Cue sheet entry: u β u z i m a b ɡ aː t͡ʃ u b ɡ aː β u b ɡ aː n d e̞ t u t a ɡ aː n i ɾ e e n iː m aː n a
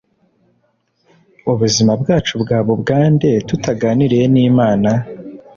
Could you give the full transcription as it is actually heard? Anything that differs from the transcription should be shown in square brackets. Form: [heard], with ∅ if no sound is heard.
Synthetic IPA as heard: u β u z i m a b ɡ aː t͡ʃ u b ɡ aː β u b ɡ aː n d e̞ t u t a ɡ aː n i ɾ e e n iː m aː n a